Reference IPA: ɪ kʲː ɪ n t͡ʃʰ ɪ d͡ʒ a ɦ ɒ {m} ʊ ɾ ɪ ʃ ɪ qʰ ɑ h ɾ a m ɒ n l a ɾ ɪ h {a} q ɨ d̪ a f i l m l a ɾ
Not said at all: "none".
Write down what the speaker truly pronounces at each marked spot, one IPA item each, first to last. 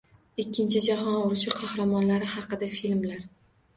n, ɑ

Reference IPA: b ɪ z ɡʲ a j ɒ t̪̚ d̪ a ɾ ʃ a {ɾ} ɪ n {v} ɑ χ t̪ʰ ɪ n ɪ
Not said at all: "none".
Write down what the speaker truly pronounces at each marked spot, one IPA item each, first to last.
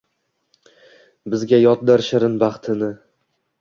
ɾ, b

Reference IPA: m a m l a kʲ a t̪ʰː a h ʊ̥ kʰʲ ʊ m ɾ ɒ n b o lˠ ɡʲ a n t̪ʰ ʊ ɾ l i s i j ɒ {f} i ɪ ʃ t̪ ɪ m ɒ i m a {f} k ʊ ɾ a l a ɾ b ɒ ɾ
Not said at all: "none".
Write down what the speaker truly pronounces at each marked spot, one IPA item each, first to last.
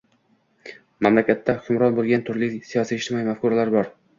s, f

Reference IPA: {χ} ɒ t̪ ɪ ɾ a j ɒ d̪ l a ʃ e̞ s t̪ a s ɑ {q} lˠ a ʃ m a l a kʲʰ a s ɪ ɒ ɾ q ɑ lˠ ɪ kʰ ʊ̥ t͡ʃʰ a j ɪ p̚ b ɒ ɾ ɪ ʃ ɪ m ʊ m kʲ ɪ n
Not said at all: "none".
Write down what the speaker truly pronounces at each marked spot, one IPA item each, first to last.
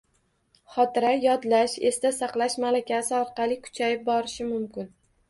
χ, q

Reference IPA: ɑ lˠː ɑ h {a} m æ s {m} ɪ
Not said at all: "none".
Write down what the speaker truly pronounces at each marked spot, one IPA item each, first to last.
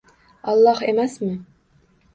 e, m

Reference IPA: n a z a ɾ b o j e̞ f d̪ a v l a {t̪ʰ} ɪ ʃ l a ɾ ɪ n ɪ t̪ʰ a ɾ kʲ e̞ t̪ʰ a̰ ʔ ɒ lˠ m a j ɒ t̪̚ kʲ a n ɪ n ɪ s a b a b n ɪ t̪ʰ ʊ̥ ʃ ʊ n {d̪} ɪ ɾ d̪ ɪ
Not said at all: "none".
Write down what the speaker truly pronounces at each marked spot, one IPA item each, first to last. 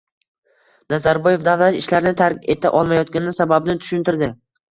t̪, t̪

